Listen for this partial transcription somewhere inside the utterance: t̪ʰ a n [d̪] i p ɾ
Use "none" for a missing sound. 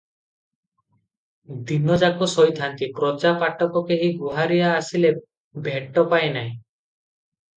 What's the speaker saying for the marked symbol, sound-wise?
t̪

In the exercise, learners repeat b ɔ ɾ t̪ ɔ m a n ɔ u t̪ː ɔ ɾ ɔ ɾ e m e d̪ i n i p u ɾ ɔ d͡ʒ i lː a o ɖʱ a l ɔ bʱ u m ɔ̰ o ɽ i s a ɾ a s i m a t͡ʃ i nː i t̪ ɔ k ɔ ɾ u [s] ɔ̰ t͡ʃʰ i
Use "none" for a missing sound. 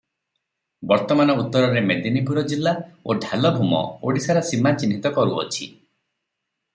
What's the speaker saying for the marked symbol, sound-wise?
none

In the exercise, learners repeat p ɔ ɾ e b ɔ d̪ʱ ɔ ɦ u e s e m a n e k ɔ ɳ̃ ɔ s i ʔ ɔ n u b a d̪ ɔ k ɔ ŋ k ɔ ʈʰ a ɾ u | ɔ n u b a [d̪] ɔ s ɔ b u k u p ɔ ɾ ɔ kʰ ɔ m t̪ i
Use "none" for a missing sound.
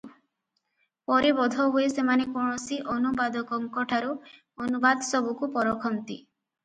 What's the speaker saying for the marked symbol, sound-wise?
d̪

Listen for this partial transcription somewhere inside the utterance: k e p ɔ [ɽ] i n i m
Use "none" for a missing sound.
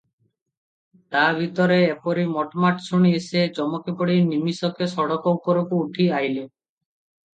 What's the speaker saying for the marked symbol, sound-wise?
ɽ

